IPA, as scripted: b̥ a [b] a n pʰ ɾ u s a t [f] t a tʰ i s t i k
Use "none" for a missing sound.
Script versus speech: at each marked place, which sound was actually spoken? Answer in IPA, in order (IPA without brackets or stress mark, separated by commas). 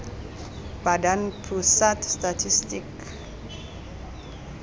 d, s